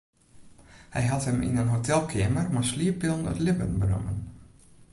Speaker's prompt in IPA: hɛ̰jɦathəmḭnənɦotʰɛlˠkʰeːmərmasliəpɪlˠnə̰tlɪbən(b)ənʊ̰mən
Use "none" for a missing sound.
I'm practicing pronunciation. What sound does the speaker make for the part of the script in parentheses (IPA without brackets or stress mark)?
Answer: b